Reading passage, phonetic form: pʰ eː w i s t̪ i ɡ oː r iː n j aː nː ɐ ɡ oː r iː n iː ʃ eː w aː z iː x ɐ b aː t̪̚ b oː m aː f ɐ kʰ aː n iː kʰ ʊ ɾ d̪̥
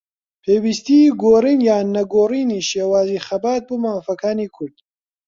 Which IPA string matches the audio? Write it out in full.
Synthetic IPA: pʰ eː w i s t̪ i ɡ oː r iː n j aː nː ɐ ɡ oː r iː n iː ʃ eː w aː z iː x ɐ b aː t̪̚ b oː m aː f ɐ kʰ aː n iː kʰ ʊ ɾ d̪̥